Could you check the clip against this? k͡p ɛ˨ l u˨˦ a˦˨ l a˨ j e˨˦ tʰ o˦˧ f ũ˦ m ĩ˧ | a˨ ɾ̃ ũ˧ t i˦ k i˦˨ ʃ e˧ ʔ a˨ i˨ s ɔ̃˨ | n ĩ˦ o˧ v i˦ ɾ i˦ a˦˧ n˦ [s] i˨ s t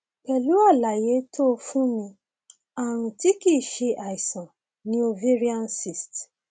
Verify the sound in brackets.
correct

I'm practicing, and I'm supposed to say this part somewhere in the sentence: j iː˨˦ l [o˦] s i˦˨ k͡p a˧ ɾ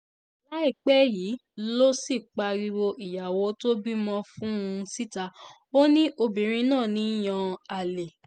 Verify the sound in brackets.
correct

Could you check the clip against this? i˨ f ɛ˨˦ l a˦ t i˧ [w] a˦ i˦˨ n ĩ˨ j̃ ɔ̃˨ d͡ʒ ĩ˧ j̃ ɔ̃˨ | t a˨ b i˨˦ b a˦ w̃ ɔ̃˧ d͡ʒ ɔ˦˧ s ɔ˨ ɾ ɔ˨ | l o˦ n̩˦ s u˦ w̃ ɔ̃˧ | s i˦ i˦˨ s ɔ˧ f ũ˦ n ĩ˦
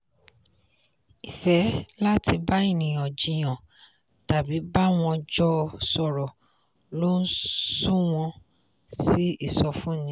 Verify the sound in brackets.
incorrect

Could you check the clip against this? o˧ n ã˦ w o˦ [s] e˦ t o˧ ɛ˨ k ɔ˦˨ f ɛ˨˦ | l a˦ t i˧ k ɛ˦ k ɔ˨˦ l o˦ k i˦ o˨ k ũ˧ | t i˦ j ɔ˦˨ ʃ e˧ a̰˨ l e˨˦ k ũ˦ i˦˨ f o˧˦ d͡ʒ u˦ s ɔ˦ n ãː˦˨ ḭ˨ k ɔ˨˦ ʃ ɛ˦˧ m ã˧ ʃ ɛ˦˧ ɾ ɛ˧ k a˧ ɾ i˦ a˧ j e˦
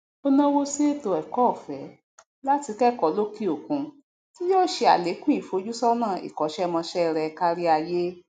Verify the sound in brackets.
correct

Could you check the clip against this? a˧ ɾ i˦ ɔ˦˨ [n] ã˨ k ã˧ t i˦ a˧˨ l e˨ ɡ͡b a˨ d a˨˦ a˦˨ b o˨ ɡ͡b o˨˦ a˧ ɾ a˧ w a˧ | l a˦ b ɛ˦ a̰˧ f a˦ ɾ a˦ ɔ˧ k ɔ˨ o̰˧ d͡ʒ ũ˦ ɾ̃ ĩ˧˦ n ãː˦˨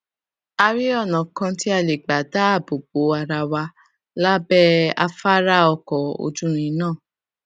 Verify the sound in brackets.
correct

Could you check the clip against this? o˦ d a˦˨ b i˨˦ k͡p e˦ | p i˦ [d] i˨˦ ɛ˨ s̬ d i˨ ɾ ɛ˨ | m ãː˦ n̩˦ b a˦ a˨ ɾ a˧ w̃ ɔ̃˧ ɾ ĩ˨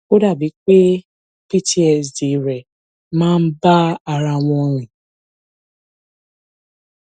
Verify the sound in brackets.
incorrect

